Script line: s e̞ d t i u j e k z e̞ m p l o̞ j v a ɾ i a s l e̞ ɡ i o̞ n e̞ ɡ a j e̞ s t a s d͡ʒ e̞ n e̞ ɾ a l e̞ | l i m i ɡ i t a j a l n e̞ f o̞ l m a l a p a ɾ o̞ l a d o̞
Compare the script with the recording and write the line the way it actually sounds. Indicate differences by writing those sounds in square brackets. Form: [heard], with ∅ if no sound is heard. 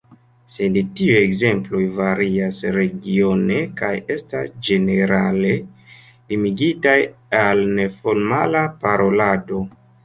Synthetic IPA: s e̞ d t i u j e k z e̞ m p l o̞ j v a ɾ i a s [ɾ] e̞ ɡ i o̞ n e̞ [k] a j e̞ s t a s d͡ʒ e̞ n e̞ ɾ a l e̞ | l i m i ɡ i t a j a l n e̞ f o̞ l m a l a p a ɾ o̞ l a d o̞